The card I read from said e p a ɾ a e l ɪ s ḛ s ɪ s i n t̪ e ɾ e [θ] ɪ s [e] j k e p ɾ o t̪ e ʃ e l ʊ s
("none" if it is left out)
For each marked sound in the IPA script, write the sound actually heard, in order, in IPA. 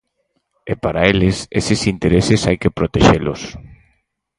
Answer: s, a

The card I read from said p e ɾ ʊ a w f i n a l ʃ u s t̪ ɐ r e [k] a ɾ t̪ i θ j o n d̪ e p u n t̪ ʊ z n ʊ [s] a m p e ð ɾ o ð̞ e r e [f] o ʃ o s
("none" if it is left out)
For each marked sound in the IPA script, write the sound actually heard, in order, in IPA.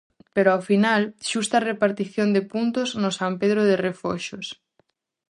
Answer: p, s, f

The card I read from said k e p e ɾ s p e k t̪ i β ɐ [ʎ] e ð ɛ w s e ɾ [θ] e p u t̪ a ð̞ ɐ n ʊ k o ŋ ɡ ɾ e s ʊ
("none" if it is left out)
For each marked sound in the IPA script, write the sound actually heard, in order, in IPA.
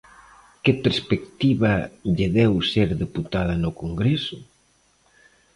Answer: ʎ, ð

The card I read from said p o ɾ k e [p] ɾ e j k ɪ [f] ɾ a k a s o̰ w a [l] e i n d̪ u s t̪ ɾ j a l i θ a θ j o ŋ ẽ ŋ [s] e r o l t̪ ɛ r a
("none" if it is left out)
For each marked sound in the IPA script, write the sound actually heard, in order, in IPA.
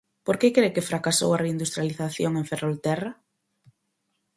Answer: k, f, r, f

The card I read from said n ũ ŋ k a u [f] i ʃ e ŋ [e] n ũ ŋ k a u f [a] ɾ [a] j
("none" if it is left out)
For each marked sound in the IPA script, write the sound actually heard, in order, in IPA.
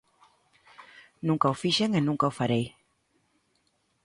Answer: f, e, a, e

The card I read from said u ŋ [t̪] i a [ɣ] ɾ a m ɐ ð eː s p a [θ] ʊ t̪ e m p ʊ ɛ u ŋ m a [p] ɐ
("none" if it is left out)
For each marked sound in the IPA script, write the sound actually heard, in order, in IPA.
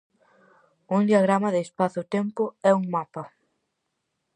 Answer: d̪, ɣ, θ, p

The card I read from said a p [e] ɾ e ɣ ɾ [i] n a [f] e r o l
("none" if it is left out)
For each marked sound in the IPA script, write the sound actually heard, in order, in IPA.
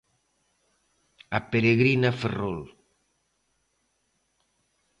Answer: e, i, f

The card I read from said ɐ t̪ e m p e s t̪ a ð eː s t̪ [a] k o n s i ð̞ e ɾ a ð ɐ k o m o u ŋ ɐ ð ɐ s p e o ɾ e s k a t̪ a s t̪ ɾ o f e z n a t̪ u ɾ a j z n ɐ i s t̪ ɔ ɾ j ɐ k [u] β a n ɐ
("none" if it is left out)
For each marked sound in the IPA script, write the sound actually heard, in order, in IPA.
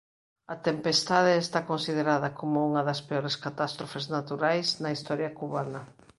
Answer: a, u

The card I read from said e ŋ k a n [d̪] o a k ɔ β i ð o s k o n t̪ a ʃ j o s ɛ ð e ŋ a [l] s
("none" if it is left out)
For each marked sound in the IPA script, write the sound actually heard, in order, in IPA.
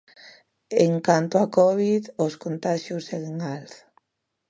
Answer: t̪, l

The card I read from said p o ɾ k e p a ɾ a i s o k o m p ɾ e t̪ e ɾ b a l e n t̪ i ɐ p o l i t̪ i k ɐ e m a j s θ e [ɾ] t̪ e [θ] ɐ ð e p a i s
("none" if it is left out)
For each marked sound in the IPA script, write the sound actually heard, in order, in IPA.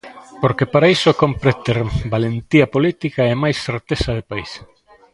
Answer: ɾ, s

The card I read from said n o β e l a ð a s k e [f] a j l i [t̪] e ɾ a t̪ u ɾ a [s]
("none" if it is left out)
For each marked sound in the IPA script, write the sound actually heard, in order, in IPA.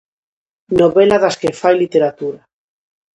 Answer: f, t̪, none

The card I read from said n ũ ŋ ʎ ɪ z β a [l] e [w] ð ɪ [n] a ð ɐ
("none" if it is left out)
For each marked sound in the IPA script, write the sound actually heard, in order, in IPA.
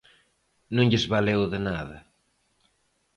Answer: l, w, n

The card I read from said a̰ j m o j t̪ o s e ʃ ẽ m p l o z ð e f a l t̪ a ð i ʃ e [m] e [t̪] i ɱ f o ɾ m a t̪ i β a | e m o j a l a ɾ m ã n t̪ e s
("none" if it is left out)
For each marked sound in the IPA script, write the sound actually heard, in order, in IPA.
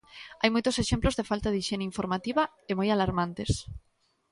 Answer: n, none

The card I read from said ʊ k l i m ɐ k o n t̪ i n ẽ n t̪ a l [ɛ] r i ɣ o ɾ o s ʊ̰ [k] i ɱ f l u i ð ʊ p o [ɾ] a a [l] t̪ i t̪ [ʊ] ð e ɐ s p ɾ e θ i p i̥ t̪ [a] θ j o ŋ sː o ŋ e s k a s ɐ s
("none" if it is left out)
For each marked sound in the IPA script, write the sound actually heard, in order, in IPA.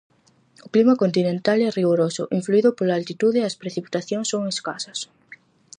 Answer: ɛ, ʔ, l, l, u, a

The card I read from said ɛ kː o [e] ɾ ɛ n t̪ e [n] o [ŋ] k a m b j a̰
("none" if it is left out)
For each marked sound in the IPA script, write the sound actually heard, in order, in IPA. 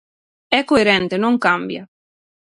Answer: e, n, ŋ

